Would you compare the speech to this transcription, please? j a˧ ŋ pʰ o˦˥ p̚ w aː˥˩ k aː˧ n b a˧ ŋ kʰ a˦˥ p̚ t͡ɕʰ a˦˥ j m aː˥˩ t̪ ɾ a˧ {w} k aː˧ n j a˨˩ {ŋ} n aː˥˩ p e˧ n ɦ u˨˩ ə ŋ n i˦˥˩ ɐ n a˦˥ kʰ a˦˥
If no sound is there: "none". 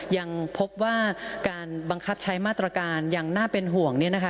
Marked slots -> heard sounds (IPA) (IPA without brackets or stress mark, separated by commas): none, ŋ